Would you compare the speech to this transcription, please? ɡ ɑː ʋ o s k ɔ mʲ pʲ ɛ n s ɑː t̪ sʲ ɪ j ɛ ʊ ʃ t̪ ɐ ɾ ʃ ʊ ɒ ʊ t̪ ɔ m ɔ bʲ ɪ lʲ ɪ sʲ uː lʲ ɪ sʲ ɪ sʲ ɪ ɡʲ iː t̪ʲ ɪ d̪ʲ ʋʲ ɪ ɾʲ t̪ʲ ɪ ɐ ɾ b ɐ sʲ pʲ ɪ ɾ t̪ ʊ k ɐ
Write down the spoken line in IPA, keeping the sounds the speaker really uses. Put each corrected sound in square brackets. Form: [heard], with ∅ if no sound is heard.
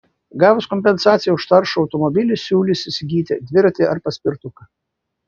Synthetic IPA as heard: ɡ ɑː ʋ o s k ɔ mʲ pʲ ɛ n s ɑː t̪ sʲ ɪ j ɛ ʊ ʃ t̪ ɐ ɾ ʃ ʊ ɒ ʊ t̪ ɔ m ɔ bʲ ɪ lʲ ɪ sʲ uː lʲ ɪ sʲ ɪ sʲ ɪ ɡʲ iː t̪ʲ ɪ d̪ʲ ʋʲ ɪ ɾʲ t̪ʲ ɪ ɐ ɾ [p] ɐ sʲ pʲ ɪ ɾ t̪ ʊ k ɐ